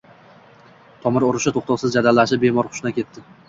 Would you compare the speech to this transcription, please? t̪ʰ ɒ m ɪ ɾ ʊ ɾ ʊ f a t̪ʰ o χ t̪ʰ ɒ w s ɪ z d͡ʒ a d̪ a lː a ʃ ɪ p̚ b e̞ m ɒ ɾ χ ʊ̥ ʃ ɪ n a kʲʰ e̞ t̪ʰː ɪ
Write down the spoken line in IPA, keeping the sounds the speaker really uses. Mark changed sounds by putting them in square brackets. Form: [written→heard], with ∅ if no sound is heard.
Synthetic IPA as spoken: t̪ʰ ɒ m ɪ ɾ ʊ ɾ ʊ [f→ʃ] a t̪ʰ o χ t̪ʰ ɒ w s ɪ z d͡ʒ a d̪ a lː a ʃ ɪ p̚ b e̞ m ɒ ɾ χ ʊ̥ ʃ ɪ n a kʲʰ e̞ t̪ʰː ɪ